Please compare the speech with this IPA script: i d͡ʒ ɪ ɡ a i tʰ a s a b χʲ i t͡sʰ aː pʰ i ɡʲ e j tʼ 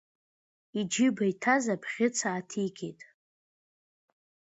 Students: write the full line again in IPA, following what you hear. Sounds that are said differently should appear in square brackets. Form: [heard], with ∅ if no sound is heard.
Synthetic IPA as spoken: i d͡ʒ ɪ [b] a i tʰ a [z] a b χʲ [ɪ] t͡sʰ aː [tʰ] i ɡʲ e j tʼ